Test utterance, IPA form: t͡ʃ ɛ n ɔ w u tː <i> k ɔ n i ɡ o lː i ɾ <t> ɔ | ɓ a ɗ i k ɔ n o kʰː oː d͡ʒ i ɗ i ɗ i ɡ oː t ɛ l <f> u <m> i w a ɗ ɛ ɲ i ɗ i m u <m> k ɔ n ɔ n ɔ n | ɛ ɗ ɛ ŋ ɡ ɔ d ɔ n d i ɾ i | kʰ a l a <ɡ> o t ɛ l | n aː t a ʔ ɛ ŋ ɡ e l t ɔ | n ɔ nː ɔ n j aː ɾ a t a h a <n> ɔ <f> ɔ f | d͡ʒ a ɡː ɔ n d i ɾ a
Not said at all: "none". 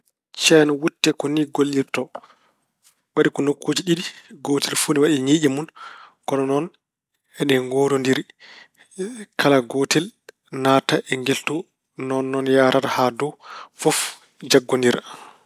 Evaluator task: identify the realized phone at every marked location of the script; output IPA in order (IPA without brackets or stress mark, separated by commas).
ɛ, t, f, n, n, ɡ, d, f